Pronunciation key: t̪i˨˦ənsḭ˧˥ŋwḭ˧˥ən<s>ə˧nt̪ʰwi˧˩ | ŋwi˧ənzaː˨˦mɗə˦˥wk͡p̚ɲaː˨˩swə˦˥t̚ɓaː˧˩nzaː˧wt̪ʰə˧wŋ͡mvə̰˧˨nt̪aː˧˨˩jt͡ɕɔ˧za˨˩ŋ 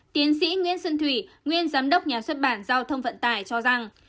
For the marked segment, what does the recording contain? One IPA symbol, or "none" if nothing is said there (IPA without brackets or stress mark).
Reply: s